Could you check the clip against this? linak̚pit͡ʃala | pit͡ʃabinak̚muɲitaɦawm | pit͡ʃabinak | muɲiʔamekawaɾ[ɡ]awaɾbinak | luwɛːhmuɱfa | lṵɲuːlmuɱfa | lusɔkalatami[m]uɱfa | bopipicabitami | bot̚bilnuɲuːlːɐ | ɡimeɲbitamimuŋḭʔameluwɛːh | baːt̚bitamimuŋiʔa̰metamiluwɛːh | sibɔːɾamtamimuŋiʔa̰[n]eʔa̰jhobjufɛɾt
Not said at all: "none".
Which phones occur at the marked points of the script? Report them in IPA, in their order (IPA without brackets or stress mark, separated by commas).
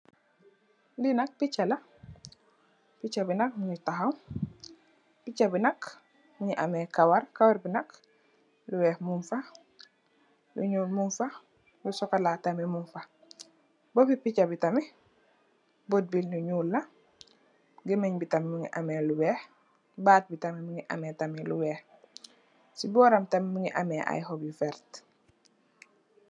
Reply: k, m, m